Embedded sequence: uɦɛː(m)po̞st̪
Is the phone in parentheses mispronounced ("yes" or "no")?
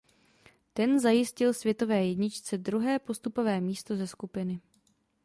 yes